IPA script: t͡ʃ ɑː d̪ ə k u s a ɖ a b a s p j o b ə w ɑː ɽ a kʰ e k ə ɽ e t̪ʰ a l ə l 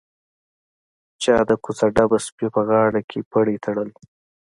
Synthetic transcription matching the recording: t͡ʃ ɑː d̪ ə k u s a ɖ a b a s p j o p ə ɣ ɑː ɽ a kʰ e p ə ɽ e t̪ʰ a ɽ ə l